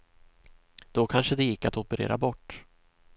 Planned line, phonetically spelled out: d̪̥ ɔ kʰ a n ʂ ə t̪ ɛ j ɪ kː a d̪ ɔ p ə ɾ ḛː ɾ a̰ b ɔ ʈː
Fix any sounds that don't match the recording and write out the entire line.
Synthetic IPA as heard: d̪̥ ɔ kʰ a n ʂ ə d̪ ɛ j ɪ kː a t̪ ɔ p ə ɾ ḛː ɾ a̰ b ɔ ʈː